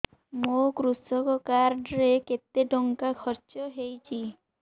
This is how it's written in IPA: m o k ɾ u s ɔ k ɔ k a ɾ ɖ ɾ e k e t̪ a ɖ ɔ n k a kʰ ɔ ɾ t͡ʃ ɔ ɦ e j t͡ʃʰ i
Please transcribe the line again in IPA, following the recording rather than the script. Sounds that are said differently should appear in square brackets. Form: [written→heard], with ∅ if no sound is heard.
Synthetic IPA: m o k ɾ u s ɔ k ɔ k a ɾ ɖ ɾ e k e t̪ [a→e] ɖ ɔ [n→ŋ] k a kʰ ɔ ɾ t͡ʃ ɔ ɦ e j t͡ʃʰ i